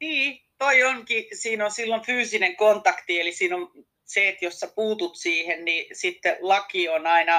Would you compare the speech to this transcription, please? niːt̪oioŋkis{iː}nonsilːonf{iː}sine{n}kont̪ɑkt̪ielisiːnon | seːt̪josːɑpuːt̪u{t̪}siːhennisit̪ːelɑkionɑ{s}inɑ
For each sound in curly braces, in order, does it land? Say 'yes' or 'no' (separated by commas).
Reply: yes, no, no, yes, no